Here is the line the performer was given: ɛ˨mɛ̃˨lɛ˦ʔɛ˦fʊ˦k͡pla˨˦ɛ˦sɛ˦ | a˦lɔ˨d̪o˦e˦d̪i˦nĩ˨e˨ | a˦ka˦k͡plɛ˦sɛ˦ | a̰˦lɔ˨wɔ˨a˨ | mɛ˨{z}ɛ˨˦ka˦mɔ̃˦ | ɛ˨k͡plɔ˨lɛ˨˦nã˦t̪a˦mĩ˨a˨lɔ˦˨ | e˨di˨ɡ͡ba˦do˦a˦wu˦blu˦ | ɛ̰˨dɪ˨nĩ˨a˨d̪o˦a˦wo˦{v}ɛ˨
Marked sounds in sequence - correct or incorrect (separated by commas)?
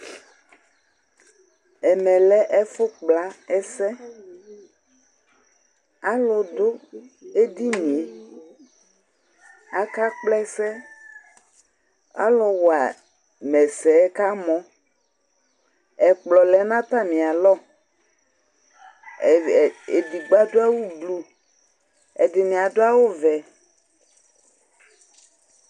incorrect, correct